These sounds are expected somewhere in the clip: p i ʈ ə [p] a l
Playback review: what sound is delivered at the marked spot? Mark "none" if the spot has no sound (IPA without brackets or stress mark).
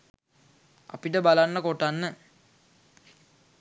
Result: b